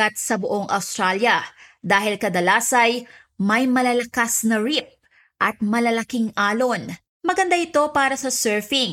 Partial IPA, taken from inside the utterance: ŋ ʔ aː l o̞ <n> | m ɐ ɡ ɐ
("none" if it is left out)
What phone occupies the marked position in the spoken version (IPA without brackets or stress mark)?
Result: n